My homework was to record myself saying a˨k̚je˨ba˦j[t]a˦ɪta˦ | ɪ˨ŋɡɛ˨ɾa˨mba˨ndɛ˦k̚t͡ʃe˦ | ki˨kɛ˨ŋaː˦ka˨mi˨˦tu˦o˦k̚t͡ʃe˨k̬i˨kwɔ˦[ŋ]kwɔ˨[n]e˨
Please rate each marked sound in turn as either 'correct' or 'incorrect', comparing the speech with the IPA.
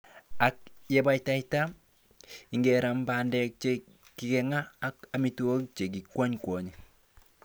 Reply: correct, incorrect: ɲ, incorrect: ɲ

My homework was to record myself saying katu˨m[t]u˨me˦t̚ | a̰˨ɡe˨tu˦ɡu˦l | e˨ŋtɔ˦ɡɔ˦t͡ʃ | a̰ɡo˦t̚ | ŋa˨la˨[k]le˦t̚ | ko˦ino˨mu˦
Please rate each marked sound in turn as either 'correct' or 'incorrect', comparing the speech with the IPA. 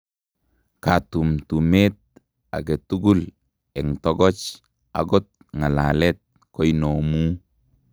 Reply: correct, incorrect: none

